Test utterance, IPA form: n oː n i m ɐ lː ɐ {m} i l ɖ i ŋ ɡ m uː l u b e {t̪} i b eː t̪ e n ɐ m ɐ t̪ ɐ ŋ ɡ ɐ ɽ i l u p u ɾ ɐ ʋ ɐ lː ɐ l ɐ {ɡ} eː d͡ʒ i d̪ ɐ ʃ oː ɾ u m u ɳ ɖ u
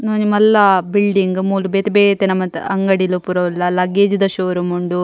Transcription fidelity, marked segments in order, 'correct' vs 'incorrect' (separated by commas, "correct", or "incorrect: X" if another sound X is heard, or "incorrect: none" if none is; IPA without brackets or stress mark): incorrect: b, correct, correct